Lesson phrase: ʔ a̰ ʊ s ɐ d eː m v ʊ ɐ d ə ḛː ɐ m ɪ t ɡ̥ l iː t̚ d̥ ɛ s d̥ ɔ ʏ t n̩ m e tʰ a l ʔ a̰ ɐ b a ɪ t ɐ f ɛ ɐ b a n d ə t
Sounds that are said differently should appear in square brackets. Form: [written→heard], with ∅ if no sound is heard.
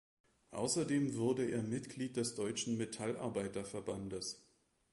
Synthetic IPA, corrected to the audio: ʔ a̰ ʊ s ɐ d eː m v ʊ ɐ d ə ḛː ɐ m ɪ t ɡ̥ l iː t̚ d̥ ɛ s d̥ ɔ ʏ [t→t͡ʃ] n̩ m e tʰ a l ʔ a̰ ɐ b a ɪ t ɐ f ɛ ɐ b a n d ə [t→s]